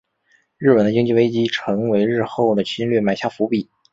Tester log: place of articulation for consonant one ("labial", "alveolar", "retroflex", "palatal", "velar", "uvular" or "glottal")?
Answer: retroflex